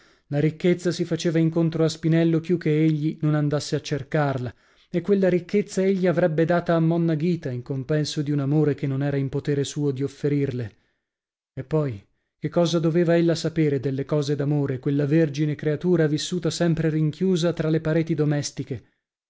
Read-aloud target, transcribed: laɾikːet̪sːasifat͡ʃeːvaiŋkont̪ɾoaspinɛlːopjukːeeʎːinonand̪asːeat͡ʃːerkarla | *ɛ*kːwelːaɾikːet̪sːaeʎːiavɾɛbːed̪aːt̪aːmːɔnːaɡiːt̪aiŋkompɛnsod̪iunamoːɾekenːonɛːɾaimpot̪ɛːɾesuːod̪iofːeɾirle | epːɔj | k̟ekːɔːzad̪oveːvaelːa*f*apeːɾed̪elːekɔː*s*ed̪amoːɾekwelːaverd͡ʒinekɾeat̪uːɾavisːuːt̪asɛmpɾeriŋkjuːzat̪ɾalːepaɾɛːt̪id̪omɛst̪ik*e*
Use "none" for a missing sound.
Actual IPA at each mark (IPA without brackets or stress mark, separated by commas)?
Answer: e, s, z, e